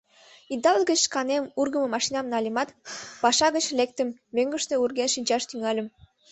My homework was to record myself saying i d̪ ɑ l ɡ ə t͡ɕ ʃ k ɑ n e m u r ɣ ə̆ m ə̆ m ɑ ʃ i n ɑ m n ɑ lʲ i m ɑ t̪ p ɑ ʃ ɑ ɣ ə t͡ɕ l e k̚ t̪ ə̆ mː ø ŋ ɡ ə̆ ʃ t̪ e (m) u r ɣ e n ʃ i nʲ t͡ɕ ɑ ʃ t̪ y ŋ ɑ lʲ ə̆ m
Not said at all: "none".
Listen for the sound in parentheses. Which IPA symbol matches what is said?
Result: none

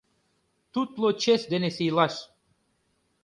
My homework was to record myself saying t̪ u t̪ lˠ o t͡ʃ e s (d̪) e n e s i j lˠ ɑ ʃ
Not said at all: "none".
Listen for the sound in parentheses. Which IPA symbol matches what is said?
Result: d̪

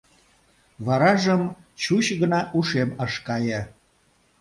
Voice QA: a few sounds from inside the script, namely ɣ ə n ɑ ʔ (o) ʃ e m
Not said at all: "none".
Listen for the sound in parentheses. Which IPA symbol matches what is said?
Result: u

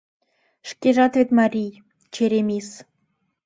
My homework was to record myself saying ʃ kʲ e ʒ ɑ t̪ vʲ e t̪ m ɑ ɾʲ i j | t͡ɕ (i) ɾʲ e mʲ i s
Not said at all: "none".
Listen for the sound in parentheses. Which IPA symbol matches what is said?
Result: e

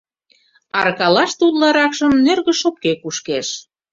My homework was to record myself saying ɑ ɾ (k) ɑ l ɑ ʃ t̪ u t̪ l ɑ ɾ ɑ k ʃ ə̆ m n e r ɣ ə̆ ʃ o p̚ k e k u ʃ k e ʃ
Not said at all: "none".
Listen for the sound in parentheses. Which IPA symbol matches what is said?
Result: k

